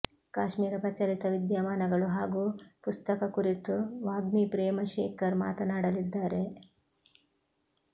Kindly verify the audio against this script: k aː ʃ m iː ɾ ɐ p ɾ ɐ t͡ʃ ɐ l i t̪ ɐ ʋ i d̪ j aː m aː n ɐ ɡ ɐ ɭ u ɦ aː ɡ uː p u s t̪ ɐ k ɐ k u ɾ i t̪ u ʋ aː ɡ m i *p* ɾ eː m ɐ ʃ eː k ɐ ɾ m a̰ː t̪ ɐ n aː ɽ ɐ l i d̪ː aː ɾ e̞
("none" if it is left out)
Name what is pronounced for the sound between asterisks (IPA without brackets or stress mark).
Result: p